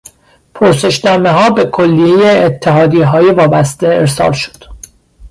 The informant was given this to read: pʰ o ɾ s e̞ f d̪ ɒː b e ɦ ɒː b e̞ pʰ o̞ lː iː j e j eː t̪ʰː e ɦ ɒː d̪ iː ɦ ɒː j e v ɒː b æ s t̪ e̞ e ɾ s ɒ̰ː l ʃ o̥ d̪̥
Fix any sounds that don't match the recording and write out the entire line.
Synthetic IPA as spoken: pʰ o ɾ s e̞ ʃ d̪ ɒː m e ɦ ɒː b e̞ kʰ o̞ lː i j e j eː t̪ʰː e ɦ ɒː d̪ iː ɦ ɒː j e v ɒː b æ s t̪ e̞ e ɾ s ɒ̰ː l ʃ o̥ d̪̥

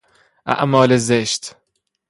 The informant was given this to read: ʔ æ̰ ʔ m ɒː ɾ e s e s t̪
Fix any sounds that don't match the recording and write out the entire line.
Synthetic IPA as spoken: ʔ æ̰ ʔ m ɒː l e z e ʃ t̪

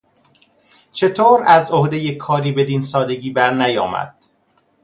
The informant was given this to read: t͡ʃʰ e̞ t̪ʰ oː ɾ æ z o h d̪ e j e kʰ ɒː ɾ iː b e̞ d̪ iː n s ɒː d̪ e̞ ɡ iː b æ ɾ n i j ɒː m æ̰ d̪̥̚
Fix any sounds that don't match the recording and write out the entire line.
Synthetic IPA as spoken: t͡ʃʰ e̞ t̪ʰ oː ɾ æ z o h d̪ e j e kʰ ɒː ɾ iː b e̞ d̪ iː n s ɒː d̪ e̞ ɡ iː b æ ɾ n æ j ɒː m æ̰ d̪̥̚

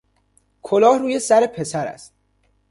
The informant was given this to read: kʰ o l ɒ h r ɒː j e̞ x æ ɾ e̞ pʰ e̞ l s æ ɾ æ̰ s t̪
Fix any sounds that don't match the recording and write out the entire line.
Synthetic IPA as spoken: kʰ o l ɒː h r uː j e̞ s æ ɾ e̞ pʰ e̞ s æ ɾ æ̰ s t̪

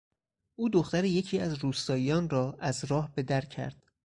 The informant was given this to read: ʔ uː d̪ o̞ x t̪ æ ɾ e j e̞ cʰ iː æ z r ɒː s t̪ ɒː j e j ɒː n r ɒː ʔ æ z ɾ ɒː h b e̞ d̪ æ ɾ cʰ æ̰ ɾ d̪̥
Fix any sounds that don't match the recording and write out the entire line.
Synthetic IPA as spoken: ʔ uː d̪ o̞ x t̪ æ ɾ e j e̞ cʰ iː æ z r uː s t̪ ɒː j i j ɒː n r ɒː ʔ æ z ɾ ɒː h b e̞ d̪ æ ɾ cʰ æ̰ ɾ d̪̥

